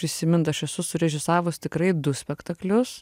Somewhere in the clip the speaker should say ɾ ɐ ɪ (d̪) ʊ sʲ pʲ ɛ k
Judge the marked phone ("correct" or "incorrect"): correct